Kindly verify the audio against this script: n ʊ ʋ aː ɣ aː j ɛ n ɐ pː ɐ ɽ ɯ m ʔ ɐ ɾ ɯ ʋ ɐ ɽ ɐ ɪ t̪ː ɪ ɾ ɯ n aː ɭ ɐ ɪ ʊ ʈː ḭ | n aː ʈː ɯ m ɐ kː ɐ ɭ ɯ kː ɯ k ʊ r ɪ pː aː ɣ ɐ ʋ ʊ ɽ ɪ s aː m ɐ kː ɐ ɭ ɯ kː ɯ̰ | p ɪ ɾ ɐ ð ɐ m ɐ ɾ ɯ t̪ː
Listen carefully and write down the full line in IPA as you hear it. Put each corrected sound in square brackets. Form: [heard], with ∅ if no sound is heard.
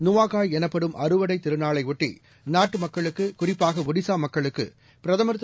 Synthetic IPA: n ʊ ʋ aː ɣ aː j ɛ n ɐ pː ɐ ɽ ɯ m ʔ ɐ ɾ ɯ ʋ ɐ ɽ ɐ ɪ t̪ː ɪ ɾ ɯ n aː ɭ ɐ ɪ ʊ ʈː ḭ | n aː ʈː ɯ m ɐ kː ɐ ɭ ɯ kː ɯ k ʊ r ɪ pː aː ɣ ɐ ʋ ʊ ɽ ɪ s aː m ɐ kː ɐ ɭ ɯ kː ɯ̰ | p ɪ ɾ ɐ ð ɐ m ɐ ɾ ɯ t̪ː

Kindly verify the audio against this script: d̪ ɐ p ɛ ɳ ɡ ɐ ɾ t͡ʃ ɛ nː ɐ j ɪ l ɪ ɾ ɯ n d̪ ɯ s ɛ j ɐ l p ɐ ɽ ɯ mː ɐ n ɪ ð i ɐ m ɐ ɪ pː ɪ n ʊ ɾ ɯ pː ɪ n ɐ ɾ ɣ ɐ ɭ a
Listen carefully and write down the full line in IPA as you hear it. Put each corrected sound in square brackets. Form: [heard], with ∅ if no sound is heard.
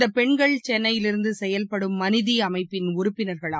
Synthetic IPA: d̪ ɐ p ɛ ɳ ɡ ɐ [ɭ] t͡ʃ ɛ nː ɐ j ɪ l ɪ ɾ ɯ n d̪ ɯ s ɛ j ɐ l p ɐ ɽ ɯ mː ɐ n ɪ ð i ɐ m ɐ ɪ pː ɪ n ʊ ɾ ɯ pː ɪ n ɐ ɾ ɣ ɐ ɭ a

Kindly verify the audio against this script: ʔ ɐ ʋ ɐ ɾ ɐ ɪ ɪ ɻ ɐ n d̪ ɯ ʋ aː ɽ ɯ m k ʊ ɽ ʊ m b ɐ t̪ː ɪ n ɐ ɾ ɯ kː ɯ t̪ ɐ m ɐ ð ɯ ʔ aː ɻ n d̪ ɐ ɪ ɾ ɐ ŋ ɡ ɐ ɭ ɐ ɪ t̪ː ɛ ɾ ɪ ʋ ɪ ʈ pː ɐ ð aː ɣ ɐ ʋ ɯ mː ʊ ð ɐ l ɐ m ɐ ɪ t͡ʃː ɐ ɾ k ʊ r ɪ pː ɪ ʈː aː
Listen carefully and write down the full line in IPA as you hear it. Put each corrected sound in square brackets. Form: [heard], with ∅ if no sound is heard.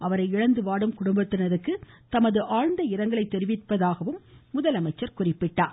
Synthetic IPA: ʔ ɐ ʋ ɐ ɾ ɐ ɪ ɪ ɻ ɐ n d̪ ɯ ʋ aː ɽ ɯ m k ʊ ɽ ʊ m b ɐ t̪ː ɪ n ɐ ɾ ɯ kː ɯ t̪ ɐ m ɐ ð ɯ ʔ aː ɻ n d̪ ɐ ɪ ɾ ɐ ŋ ɡ ɐ ɭ ɐ ɪ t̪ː ɛ ɾ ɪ ʋ ɪ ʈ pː ɐ ð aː ɣ ɐ ʋ ɯ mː ʊ ð ɐ l ɐ m ɐ ɪ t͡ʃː ɐ ɾ k ʊ r ɪ pː ɪ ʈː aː

